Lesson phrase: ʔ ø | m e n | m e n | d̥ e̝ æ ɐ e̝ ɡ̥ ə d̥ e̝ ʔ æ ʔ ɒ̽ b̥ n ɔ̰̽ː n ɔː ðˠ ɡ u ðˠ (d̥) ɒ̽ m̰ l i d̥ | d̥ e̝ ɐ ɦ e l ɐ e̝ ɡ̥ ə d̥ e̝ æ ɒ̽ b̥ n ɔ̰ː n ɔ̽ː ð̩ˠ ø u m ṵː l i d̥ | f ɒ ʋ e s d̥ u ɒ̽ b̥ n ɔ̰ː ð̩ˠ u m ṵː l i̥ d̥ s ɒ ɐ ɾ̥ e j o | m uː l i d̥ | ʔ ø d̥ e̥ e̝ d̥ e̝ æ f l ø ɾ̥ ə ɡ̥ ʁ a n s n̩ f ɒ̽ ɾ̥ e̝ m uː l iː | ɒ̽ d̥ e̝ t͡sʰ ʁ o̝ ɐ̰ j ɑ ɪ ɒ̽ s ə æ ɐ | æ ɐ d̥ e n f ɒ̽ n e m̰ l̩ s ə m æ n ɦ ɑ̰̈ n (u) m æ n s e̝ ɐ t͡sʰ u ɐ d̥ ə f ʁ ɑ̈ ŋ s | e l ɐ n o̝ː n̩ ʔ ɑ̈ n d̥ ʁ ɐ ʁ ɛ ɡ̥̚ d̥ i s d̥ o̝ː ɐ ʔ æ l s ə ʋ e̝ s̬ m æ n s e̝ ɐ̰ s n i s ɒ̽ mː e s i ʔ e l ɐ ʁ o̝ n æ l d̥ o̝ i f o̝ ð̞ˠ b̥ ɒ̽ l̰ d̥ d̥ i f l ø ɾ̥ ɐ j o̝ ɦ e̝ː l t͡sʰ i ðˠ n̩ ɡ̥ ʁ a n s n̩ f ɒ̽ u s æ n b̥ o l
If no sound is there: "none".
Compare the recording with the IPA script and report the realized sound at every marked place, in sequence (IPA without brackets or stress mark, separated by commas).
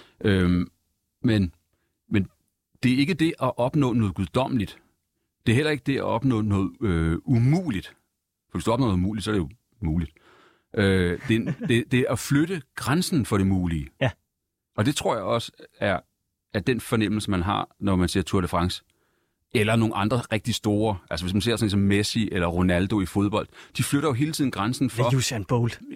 d̥, ɒ